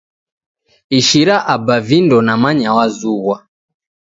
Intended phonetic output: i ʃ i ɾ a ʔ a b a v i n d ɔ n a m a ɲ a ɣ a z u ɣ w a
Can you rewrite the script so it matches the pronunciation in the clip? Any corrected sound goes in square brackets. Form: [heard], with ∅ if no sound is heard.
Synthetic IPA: i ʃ i ɾ a ʔ a b a v i n d ɔ n a m a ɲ a [w] a z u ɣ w a

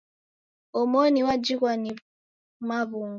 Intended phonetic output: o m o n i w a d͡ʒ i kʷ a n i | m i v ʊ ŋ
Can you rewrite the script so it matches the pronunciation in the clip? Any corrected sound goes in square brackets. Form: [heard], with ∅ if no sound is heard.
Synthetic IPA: o m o n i w a d͡ʒ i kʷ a n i | m [a] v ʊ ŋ

